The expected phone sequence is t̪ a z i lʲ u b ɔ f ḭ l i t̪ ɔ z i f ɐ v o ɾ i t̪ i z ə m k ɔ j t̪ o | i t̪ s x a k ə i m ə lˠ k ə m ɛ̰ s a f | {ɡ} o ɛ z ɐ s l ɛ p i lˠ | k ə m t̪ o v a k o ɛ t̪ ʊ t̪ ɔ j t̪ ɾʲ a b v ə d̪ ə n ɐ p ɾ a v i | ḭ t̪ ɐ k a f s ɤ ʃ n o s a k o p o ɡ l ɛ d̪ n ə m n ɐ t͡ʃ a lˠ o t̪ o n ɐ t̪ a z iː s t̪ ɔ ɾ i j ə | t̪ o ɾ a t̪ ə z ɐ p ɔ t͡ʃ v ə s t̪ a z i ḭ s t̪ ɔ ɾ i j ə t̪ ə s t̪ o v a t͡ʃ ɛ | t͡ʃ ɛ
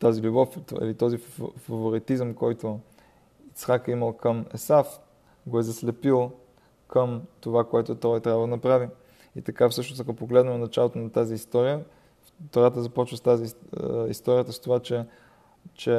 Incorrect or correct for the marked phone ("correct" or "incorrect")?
correct